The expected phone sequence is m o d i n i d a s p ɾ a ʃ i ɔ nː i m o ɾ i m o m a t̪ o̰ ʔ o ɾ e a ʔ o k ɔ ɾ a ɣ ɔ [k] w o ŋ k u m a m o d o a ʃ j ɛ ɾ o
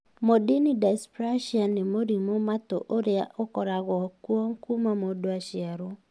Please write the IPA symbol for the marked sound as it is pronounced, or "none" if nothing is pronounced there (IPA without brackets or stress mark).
k